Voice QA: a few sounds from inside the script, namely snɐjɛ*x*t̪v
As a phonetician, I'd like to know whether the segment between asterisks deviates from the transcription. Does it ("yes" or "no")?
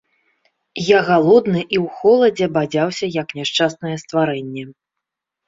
yes